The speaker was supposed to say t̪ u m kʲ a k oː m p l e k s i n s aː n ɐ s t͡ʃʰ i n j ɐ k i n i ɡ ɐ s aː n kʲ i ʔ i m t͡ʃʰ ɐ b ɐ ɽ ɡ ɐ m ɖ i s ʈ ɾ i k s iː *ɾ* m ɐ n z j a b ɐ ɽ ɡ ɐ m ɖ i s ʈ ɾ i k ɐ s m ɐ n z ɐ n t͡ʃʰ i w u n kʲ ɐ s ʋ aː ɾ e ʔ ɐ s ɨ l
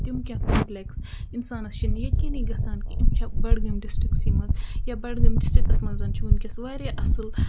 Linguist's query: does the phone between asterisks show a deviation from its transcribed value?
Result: yes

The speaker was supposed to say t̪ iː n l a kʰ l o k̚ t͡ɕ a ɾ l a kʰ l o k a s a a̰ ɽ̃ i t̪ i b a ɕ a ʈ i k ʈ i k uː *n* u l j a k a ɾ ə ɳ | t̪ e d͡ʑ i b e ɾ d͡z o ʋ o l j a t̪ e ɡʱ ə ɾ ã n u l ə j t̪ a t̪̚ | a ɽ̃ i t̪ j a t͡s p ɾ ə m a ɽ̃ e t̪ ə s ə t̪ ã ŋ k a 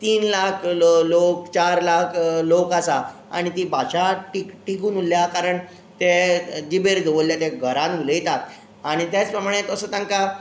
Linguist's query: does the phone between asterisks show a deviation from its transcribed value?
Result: no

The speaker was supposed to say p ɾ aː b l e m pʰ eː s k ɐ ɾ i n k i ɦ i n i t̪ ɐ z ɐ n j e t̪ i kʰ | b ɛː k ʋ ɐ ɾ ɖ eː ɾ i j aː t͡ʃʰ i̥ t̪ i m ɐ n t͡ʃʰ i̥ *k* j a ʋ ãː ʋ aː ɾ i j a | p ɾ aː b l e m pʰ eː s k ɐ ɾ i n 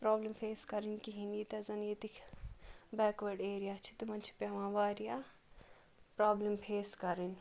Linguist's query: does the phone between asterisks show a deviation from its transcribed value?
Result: yes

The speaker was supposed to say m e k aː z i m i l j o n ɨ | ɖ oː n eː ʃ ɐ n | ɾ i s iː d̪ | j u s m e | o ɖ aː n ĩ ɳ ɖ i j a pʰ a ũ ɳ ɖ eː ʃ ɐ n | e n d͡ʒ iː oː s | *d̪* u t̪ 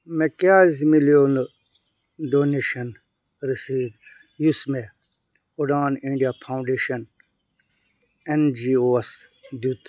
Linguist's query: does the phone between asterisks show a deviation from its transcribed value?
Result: no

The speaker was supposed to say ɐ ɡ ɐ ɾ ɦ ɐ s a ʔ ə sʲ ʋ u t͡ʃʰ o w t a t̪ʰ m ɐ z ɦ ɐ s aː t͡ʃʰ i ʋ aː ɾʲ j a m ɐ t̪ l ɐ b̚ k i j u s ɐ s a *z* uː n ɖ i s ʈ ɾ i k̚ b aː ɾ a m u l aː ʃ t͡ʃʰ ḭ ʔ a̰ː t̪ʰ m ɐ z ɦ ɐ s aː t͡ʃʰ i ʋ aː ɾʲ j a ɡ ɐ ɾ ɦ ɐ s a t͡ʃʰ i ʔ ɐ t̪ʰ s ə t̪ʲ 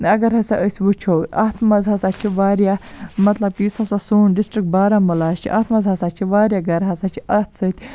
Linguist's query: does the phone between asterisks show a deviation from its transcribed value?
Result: yes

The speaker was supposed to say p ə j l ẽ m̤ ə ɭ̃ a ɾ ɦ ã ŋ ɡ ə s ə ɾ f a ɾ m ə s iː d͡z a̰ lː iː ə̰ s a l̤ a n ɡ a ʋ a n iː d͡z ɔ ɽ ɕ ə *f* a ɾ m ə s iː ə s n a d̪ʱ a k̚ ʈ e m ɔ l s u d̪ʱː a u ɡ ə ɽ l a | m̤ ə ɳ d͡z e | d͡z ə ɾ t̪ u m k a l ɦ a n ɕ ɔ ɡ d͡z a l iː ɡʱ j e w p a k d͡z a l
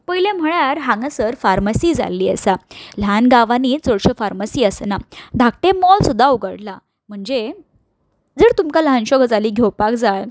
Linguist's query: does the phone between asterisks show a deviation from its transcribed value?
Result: no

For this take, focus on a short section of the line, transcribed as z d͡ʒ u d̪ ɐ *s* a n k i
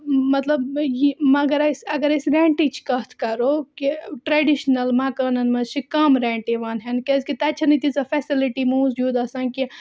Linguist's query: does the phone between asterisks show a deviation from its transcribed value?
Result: no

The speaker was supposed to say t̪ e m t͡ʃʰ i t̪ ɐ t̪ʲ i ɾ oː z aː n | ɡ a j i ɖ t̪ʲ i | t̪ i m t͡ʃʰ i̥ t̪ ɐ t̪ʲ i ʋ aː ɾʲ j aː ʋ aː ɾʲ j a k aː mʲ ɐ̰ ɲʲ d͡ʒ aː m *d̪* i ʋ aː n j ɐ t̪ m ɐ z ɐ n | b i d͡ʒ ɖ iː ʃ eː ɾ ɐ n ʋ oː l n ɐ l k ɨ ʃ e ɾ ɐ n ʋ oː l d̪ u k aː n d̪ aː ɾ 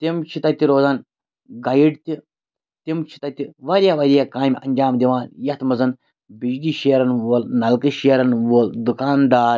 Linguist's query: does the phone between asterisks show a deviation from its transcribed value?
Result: no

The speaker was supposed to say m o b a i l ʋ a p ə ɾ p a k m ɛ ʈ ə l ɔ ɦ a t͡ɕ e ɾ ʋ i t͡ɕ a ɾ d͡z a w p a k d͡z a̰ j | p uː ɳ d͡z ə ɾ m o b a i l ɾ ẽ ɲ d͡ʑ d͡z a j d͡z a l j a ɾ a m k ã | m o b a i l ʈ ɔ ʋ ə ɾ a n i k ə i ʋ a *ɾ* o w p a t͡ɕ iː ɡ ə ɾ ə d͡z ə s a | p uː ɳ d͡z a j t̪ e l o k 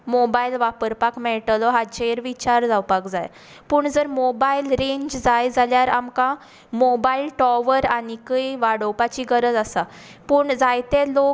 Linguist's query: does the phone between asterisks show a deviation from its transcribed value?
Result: yes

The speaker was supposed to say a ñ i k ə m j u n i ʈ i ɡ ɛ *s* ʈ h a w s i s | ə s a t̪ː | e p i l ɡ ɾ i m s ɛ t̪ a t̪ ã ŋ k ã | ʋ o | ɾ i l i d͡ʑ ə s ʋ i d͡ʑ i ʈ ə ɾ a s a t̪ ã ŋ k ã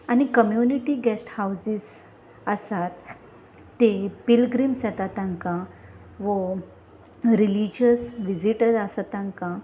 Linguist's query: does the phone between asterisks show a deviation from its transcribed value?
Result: no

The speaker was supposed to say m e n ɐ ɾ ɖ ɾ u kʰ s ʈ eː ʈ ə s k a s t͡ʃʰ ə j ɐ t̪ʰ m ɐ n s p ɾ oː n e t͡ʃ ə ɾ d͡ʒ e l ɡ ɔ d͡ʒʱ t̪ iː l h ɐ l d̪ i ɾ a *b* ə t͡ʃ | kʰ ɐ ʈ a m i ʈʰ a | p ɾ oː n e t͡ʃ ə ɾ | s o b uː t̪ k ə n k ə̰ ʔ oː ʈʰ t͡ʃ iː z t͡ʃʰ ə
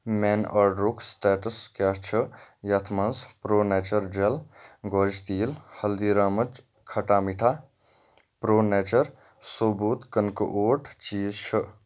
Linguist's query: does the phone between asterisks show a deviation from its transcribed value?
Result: yes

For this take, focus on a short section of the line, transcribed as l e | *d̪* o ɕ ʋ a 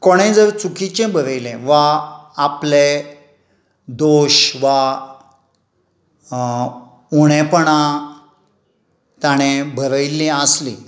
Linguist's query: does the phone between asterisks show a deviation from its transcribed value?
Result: no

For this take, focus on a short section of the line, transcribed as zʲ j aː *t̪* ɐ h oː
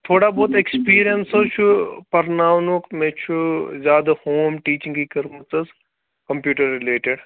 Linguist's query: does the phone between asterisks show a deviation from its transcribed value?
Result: yes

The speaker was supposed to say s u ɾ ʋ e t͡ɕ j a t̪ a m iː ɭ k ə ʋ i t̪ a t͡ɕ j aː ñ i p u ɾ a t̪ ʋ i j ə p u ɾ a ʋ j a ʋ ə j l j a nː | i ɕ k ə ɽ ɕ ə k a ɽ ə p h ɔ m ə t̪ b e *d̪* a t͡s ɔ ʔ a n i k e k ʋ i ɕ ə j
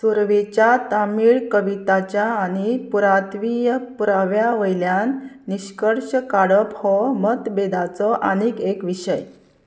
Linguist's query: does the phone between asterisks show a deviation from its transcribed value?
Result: no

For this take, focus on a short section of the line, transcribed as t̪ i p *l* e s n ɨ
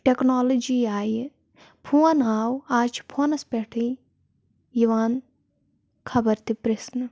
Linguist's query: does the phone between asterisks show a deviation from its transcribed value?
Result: yes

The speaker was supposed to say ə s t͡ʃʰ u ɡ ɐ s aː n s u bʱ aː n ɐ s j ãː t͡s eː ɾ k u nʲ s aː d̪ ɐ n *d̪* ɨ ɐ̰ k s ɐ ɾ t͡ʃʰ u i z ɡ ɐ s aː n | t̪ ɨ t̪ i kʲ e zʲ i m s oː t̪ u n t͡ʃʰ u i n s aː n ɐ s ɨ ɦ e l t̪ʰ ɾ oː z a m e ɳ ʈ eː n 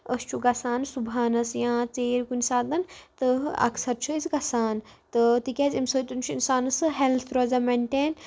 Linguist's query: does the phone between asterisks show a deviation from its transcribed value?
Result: yes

